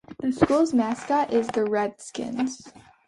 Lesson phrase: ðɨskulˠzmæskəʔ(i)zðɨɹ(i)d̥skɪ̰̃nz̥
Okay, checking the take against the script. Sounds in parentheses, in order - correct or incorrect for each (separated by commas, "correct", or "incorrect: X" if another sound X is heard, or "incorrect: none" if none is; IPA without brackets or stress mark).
incorrect: ɪ, incorrect: ɛ